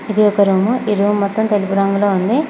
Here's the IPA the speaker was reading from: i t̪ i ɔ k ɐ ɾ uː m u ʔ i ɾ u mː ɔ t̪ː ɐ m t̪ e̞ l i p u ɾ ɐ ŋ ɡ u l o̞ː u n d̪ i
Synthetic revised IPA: i d̪ i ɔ k ɐ ɾ uː m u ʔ i ɾ uː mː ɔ t̪ː ɐ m t̪ e̞ l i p u ɾ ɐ ŋ ɡ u l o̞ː u n d̪ i